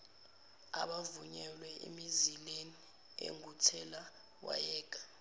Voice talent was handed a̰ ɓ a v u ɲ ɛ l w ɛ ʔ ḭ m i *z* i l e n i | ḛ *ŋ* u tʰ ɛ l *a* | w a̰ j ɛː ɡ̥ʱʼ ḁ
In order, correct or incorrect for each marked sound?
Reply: correct, correct, correct

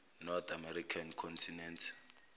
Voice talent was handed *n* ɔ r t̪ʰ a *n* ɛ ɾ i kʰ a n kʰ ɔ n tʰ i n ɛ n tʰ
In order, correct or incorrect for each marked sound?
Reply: correct, incorrect: m

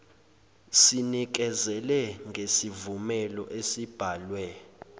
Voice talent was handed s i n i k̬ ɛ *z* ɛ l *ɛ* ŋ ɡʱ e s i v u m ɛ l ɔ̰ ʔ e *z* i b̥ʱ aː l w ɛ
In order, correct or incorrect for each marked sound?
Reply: correct, correct, incorrect: s

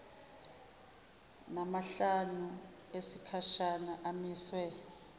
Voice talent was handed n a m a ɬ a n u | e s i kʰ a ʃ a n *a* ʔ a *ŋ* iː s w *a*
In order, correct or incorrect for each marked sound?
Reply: correct, incorrect: m, incorrect: ɛ

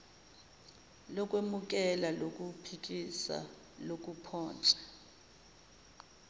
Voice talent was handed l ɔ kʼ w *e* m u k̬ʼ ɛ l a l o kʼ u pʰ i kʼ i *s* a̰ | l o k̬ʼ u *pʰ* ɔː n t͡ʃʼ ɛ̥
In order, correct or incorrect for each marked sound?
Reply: correct, correct, correct

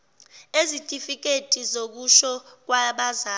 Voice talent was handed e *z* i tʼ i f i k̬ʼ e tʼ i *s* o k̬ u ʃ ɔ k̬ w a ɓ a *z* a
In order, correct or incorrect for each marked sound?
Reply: correct, incorrect: z, correct

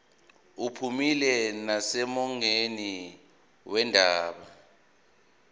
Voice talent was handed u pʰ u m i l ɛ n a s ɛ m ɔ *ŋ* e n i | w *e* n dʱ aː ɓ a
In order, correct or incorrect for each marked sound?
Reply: correct, incorrect: ɛ

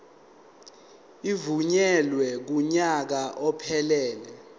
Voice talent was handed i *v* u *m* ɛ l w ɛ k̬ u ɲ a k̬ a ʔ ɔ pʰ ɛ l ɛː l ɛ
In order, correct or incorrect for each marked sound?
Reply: correct, incorrect: ɲ

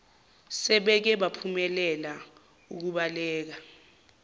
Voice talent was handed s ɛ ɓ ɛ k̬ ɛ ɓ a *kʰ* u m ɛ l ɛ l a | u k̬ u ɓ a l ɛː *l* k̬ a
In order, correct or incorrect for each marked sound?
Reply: incorrect: pʰ, incorrect: none

